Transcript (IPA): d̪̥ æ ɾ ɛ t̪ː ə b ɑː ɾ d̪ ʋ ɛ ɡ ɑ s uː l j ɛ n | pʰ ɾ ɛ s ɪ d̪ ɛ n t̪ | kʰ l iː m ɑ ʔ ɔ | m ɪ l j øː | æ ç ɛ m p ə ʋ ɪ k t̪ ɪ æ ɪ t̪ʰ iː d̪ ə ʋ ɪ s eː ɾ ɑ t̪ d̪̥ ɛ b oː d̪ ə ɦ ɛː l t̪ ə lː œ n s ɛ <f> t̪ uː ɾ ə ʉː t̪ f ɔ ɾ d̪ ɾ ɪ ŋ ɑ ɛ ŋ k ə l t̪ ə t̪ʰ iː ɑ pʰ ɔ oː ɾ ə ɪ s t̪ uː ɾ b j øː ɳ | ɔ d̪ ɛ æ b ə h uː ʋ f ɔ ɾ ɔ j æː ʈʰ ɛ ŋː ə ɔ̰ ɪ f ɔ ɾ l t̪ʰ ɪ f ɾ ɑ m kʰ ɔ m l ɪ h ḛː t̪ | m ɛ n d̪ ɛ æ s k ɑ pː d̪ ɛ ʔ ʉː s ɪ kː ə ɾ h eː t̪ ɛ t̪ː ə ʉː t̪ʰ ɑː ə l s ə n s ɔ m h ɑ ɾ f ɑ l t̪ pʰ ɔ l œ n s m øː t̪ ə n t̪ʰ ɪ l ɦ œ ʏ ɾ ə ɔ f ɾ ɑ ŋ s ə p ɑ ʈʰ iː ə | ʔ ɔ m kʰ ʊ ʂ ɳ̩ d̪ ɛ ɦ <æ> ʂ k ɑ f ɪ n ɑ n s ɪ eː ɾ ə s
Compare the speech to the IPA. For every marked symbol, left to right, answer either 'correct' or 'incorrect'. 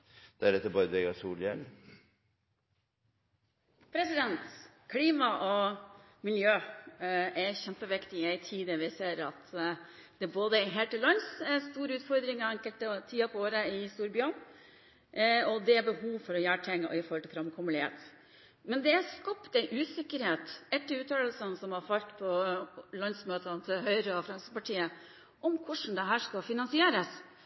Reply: incorrect: s, incorrect: æː

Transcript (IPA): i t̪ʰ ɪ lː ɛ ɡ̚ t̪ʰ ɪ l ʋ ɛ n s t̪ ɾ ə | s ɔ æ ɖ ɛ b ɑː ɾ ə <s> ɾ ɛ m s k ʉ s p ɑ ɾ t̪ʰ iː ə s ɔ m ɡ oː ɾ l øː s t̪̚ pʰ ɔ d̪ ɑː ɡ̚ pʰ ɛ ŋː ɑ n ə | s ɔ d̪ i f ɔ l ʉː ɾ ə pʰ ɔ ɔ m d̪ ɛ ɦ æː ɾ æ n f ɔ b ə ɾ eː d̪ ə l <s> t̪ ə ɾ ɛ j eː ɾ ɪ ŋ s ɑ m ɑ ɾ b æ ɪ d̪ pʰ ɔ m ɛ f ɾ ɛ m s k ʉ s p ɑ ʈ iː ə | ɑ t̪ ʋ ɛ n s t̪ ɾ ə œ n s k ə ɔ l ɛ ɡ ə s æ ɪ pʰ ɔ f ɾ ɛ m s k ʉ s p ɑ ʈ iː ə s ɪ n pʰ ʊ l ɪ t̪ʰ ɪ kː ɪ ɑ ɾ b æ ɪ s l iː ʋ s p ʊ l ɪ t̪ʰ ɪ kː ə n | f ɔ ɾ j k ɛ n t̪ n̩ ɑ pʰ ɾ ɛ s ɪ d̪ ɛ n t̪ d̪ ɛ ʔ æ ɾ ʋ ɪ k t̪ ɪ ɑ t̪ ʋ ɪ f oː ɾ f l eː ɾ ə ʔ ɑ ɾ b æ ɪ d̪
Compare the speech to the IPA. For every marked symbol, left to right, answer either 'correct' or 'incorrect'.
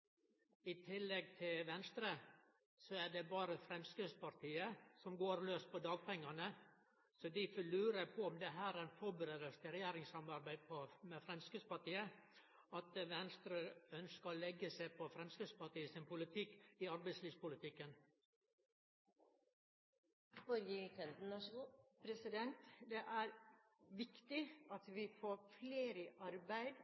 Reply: incorrect: f, correct

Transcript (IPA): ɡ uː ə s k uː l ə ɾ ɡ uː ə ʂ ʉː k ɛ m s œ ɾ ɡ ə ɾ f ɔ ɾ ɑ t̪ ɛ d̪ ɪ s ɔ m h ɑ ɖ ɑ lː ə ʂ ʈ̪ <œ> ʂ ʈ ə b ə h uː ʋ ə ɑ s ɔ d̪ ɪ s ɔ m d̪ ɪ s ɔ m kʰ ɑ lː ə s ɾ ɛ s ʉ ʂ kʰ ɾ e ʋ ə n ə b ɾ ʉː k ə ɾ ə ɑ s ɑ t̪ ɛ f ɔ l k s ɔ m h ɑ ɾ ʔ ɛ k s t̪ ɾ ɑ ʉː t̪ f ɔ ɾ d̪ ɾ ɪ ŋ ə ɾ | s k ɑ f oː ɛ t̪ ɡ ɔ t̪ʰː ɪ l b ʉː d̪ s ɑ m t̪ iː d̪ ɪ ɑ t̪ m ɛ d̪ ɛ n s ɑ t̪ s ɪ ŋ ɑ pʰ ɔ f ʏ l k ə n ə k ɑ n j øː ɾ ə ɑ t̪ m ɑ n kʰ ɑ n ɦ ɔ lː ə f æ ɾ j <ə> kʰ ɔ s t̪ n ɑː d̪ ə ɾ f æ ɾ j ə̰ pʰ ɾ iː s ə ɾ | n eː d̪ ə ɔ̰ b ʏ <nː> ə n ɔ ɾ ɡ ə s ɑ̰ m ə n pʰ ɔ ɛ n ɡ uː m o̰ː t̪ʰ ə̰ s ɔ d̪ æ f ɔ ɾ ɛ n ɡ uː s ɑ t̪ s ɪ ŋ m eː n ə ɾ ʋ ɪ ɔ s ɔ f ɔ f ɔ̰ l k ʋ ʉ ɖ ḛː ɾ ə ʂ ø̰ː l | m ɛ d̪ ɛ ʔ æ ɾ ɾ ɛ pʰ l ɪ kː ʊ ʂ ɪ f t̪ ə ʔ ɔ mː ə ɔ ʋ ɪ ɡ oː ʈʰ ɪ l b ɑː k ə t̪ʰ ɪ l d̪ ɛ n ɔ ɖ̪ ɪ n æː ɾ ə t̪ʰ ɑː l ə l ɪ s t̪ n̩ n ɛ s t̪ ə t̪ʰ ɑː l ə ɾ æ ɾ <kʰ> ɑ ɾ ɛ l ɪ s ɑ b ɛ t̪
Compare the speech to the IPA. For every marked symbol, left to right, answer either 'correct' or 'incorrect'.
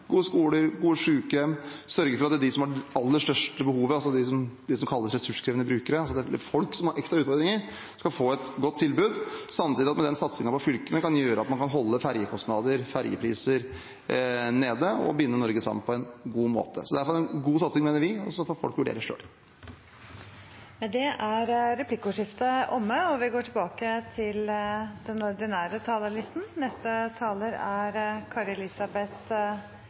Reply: correct, correct, correct, correct

